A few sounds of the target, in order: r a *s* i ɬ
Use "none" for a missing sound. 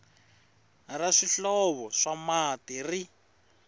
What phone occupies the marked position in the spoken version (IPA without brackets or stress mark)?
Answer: ʂ